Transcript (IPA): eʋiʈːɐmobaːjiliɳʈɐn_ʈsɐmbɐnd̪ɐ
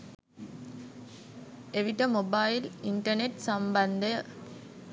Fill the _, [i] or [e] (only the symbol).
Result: e